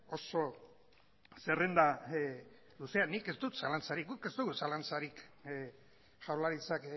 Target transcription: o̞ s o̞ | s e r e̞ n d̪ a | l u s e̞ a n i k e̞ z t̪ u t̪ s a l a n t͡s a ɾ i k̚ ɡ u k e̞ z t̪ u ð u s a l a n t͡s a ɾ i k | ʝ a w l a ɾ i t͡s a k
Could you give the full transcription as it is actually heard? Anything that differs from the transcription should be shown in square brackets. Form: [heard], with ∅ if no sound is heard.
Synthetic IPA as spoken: o̞ s o̞ | s e r e̞ n d̪ a | l u s e̞ a n i k e̞ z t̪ u t̪ s a l a n t͡s a ɾ i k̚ ɡ u k e̞ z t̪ u [ɣ] u s a l a n t͡s a ɾ i k | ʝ a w l a ɾ i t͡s a k